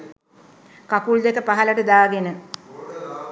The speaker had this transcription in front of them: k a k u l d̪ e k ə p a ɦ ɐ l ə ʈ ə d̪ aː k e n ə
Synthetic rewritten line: k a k u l d̪ e k ə p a ɦ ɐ l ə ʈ ə d̪ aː ɡ e n ə

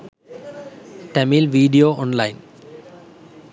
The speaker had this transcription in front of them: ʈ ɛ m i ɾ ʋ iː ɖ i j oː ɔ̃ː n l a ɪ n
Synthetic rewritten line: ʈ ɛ m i l ʋ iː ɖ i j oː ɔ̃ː n l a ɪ n

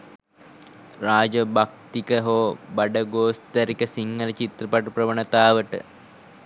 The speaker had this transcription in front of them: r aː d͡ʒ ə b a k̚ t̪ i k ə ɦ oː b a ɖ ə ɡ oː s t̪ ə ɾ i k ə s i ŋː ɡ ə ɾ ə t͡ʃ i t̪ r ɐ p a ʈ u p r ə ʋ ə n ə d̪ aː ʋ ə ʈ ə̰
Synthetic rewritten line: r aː d͡ʒ ə b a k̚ t̪ i k ə ɦ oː b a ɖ ə ɡ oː s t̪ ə ɾ i k ə s i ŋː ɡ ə l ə t͡ʃ i t̪ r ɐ p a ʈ u p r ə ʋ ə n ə t̪ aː ʋ ə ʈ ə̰

